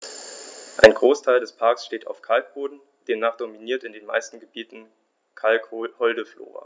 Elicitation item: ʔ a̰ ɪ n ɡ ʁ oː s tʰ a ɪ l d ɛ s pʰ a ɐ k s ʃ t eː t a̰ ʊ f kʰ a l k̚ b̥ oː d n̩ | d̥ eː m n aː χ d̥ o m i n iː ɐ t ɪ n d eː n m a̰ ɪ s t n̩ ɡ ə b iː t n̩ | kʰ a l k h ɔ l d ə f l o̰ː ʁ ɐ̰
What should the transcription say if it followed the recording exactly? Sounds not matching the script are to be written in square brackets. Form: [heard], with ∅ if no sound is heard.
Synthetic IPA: ʔ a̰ ɪ n ɡ ʁ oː s tʰ a ɪ l d ɛ s pʰ a ɐ k s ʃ t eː t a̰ ʊ f kʰ a l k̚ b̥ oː d n̩ | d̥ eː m n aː χ d̥ o m i n iː ɐ t ɪ n d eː n m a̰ ɪ s t n̩ ɡ ə b iː t n̩ | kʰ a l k h ɔ l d ə f l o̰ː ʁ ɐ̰